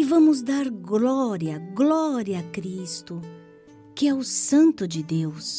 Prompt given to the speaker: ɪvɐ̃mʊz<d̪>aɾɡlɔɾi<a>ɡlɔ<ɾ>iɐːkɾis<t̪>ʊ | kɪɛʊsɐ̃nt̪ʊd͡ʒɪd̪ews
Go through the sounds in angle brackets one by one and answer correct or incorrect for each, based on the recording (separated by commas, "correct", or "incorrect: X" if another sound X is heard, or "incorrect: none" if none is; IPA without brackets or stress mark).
correct, incorrect: ɐ, correct, correct